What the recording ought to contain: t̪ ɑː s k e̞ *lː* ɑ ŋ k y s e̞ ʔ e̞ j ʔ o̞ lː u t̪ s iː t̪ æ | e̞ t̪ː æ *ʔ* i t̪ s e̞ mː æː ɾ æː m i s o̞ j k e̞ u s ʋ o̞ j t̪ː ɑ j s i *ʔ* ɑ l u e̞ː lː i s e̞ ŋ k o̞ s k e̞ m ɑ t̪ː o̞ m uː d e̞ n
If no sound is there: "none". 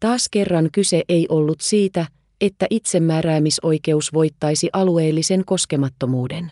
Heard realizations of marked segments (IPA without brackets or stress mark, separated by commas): rː, ʔ, ʔ